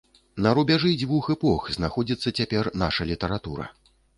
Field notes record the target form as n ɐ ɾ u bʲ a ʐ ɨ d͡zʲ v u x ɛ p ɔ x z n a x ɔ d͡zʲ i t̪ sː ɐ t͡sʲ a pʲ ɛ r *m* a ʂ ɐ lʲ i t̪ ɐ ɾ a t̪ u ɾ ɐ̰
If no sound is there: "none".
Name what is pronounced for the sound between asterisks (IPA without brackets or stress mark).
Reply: n